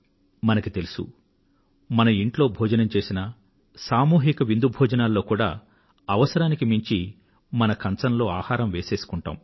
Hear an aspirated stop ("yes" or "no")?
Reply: no